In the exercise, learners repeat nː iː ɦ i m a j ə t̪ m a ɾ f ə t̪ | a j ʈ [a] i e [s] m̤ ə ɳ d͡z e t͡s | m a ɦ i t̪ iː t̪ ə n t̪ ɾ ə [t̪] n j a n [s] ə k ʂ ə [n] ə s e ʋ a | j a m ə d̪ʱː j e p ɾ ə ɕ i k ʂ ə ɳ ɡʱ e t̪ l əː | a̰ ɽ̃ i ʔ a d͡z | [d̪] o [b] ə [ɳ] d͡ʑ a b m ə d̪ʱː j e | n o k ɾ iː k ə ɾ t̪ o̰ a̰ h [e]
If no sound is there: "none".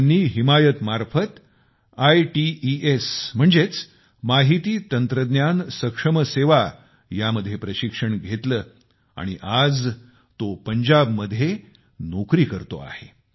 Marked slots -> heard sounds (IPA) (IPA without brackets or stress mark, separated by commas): i, s, d̪, s, m, t̪, p, ɲ, e